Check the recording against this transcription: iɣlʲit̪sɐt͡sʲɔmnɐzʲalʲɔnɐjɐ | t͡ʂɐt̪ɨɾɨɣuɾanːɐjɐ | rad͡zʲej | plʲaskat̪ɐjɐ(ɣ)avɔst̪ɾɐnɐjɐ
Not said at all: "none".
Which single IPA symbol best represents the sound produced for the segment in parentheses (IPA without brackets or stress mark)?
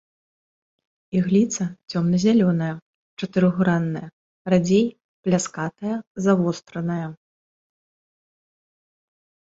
z